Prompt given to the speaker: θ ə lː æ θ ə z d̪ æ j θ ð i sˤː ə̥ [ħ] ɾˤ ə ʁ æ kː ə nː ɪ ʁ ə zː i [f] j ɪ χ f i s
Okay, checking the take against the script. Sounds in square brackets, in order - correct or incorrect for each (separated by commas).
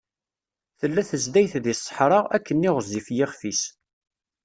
correct, correct